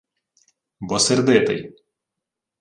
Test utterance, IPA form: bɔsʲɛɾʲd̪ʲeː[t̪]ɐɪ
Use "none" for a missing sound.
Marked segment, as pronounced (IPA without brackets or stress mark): t̪